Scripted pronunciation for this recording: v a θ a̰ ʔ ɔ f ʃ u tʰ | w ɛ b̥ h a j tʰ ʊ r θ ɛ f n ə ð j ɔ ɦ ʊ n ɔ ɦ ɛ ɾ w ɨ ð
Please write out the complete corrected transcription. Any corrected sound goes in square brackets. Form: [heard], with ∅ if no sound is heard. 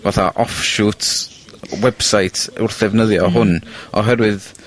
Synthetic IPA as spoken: v a θ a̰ ʔ ɔ f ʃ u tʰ | w ɛ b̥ [s] a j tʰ ʊ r θ ɛ [v] n ə ð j ɔ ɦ ʊ n ɔ ɦ ɛ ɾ w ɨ ð